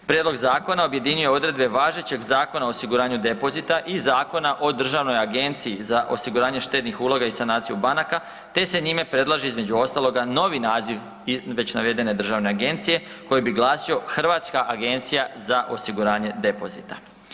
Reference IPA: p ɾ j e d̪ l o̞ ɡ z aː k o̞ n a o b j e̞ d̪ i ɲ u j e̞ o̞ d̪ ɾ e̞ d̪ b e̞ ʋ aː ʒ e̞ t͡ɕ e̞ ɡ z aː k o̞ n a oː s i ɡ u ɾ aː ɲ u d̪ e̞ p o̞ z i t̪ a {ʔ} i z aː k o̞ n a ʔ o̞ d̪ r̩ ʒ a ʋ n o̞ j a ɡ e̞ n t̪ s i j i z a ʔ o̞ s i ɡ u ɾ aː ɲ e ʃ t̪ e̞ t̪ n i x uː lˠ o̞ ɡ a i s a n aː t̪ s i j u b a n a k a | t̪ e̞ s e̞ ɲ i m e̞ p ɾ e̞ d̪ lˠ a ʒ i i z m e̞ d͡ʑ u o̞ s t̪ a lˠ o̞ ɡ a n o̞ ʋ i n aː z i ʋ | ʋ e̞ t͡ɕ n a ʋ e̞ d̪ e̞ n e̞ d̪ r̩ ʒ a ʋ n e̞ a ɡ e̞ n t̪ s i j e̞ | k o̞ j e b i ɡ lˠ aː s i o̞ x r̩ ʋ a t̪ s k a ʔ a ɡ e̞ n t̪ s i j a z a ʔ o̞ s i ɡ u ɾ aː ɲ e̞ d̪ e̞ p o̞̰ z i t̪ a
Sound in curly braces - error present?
no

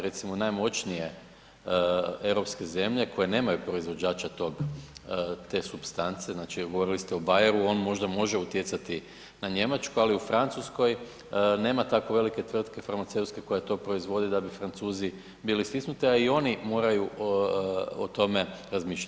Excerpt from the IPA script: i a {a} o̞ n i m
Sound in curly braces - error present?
yes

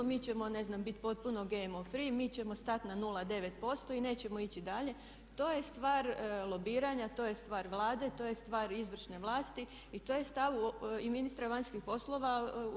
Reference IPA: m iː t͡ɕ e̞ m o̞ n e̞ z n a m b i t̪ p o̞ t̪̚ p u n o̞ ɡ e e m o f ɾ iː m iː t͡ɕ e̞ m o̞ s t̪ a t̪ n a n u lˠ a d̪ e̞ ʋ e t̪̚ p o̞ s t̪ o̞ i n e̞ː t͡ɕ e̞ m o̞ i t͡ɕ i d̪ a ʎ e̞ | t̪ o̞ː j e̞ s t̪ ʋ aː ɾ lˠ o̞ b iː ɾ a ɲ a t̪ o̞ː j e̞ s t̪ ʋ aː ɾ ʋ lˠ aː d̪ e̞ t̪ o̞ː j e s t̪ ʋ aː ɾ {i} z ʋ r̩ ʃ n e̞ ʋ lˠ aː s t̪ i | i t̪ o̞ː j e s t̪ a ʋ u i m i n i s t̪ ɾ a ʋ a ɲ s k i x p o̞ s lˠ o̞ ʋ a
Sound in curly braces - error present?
no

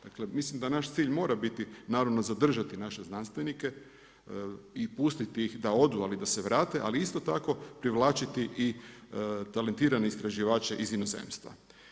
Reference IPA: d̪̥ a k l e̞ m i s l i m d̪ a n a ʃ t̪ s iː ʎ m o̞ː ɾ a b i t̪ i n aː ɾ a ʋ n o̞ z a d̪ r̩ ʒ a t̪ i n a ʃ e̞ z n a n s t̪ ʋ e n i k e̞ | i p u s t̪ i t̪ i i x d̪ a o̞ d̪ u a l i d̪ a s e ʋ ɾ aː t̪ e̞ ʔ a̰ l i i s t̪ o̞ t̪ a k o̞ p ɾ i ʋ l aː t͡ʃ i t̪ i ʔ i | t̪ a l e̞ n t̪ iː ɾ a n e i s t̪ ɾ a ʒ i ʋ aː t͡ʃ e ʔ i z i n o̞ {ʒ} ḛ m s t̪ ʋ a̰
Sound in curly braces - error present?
yes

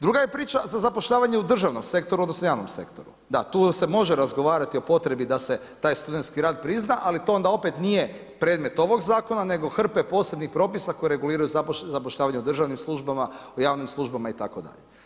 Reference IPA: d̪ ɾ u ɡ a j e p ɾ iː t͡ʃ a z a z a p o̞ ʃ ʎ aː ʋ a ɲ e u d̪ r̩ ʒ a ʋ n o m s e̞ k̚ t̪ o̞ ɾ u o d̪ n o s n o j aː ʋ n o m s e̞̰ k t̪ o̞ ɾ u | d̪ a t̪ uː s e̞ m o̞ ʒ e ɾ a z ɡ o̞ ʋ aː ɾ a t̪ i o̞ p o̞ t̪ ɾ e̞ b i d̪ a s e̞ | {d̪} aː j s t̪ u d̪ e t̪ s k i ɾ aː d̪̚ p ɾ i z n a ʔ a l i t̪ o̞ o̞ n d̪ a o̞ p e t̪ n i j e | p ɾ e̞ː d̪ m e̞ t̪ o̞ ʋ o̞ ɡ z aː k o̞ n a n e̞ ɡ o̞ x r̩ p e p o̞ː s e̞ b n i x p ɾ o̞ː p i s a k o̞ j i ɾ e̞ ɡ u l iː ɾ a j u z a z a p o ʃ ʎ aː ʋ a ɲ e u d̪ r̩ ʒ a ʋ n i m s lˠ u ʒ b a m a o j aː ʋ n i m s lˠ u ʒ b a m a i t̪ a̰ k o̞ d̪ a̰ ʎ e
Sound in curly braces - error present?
yes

